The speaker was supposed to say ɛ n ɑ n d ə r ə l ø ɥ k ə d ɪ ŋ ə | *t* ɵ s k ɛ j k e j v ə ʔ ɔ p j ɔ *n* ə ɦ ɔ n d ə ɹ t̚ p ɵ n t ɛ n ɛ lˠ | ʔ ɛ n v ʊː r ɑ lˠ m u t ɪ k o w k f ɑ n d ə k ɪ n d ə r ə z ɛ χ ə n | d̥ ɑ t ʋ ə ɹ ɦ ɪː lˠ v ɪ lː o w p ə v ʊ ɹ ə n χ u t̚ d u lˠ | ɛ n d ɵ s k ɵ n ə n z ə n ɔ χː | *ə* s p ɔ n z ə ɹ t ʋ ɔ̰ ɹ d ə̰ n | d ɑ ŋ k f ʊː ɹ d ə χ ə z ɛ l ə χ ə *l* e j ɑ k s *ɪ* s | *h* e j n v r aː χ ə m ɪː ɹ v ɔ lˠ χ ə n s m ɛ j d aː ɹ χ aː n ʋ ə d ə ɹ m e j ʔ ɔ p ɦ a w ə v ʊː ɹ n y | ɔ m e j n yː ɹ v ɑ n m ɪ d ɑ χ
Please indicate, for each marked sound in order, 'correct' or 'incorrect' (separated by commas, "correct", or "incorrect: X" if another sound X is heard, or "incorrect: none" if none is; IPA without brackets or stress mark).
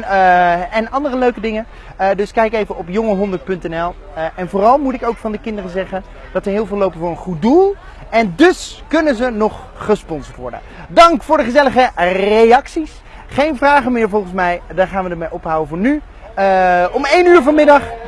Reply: incorrect: d, incorrect: ŋ, correct, incorrect: r, incorrect: i, incorrect: χ